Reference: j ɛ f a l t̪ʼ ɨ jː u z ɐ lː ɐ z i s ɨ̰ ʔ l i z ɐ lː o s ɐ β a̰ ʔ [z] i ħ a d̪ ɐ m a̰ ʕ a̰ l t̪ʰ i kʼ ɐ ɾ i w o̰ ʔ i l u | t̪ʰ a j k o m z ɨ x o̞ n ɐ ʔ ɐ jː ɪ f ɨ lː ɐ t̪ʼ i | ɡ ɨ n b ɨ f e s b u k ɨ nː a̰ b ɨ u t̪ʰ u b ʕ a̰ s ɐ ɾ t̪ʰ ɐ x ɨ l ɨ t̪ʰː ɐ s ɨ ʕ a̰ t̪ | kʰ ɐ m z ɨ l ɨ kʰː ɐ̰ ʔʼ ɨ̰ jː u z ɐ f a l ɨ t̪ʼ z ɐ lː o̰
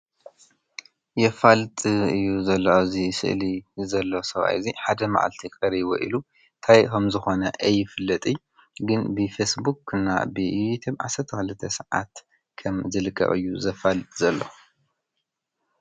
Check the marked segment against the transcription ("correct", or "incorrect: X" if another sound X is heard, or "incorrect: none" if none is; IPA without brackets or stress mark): correct